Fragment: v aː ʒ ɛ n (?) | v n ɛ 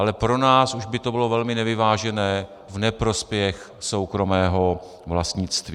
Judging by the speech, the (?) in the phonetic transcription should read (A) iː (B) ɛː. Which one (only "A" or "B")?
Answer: B